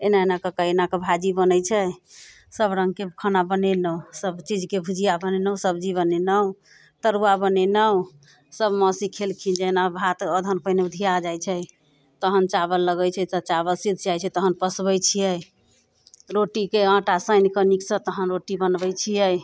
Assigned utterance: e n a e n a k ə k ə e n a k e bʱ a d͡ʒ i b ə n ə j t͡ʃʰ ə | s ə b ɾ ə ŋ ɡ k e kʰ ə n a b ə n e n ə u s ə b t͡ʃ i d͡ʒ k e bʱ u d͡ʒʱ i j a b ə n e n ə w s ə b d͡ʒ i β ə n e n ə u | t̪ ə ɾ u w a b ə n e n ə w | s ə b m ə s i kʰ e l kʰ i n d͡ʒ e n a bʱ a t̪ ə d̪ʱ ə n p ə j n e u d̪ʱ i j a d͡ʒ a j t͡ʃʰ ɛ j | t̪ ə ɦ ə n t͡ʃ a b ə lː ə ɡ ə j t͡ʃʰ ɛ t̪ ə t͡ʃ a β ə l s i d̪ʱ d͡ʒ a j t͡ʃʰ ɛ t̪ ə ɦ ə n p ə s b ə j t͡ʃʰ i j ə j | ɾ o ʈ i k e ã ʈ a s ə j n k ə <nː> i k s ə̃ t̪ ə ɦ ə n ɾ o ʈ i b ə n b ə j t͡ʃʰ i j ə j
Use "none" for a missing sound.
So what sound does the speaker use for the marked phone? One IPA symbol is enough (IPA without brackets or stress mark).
n